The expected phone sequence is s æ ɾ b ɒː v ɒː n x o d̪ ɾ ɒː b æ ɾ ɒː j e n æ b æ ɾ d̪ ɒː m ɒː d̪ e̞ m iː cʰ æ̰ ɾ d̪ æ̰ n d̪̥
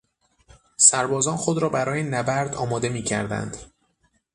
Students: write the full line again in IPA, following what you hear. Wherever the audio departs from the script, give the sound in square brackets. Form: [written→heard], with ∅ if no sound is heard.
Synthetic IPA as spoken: s æ ɾ b ɒː [v→z] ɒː n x o d̪ ɾ ɒː b æ ɾ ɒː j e n æ b æ ɾ d̪ ɒː m ɒː d̪ e̞ m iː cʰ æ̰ ɾ d̪ æ̰ n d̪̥